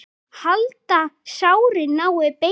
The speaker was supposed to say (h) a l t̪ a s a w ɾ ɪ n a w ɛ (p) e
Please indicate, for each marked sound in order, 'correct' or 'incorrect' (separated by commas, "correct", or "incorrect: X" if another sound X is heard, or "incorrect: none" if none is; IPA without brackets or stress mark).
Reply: correct, correct